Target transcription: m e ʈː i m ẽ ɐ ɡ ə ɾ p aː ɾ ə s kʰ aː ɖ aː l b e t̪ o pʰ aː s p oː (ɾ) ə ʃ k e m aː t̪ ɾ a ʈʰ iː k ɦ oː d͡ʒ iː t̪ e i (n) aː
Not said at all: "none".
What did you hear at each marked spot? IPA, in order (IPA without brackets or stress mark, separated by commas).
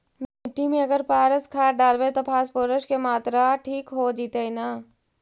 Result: ɾ, n